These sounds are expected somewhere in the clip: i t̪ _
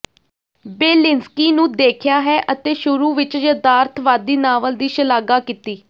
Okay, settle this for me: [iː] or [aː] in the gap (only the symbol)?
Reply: iː